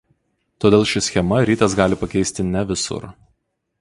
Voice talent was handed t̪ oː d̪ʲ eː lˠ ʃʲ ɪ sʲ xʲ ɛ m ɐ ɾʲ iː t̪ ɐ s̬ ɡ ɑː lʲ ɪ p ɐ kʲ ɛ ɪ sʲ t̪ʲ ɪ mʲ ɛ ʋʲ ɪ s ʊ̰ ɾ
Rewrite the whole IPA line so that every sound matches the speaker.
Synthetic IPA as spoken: t̪ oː d̪ʲ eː lˠ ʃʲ ɪ sʲ xʲ ɛ m ɐ ɾʲ iː t̪ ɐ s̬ ɡ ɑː lʲ ɪ p ɐ kʲ ɛ ɪ sʲ t̪ʲ ɪ nʲ ɛ ʋʲ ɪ s ʊ̰ ɾ